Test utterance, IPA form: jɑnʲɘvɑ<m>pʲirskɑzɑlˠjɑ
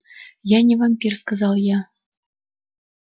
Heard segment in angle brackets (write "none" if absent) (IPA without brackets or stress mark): m